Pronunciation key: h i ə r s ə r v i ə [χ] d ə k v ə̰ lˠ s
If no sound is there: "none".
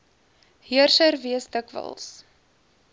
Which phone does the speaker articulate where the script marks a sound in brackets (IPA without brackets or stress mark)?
s